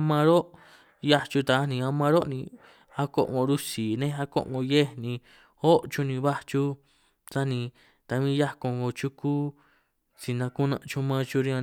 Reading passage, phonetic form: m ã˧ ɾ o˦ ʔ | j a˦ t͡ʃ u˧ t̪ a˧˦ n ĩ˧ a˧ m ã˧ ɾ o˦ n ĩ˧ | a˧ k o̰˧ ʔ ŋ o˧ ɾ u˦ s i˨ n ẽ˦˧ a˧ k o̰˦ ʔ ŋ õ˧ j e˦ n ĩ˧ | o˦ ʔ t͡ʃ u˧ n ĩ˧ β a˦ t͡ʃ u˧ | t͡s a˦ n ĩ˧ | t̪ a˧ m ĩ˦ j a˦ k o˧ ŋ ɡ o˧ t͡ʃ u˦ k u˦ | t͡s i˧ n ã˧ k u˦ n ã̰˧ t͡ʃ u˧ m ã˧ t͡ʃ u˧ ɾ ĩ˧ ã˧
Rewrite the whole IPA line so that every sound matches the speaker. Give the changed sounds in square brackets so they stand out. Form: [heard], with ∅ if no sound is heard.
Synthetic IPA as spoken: m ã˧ ɾ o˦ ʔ | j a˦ t͡ʃ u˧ t̪ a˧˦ n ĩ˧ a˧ m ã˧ ɾ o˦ n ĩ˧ | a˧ k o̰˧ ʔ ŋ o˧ ɾ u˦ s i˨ n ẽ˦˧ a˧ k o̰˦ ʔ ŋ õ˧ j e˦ n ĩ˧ | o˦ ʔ t͡ʃ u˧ n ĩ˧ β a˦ t͡ʃ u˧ | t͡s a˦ n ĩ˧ | t̪ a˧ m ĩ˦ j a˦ k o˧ ŋ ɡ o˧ t͡ʃ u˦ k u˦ | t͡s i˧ n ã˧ k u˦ n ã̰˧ t͡ʃ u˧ m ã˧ t͡ʃ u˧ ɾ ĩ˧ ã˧